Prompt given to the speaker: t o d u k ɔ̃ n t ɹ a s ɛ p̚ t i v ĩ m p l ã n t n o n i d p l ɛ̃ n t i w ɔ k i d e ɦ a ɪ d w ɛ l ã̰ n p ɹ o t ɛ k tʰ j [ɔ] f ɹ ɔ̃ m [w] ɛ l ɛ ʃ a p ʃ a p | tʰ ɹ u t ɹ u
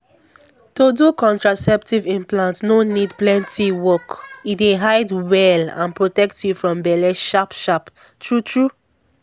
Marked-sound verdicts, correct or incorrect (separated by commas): incorrect, incorrect